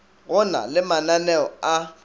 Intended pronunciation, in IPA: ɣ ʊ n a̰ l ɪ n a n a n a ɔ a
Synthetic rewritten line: ɣ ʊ n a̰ l ɪ m a n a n ɛ ɔ a